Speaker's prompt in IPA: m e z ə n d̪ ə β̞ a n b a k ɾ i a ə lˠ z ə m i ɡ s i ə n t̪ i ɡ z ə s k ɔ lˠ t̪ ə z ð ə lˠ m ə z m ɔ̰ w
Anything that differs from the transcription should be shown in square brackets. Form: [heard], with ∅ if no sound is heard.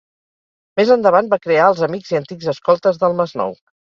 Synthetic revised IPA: m e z ə n d̪ ə β̞ a n b a k ɾ [e] a ə lˠ z ə m i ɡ [z] i ə n t̪ i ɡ z ə s k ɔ lˠ t̪ ə z ð ə lˠ m ə z [n] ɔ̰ w